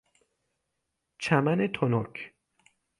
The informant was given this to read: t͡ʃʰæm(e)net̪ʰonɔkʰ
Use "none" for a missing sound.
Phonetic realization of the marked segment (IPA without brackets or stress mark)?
æ